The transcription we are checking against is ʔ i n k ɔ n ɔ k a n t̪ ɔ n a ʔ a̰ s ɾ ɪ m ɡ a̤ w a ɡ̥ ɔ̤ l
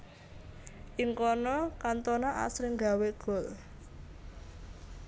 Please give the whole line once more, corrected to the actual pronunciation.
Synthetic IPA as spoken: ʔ i ŋ k ɔ n ɔ k a n t̪ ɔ n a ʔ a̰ s ɾ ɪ ŋ ɡ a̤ w e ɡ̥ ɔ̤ l